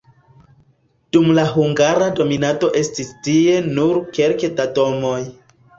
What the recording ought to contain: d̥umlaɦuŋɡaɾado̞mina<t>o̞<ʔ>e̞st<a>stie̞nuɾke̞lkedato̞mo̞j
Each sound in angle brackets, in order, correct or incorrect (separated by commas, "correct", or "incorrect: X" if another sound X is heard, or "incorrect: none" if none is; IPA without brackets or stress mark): correct, correct, incorrect: i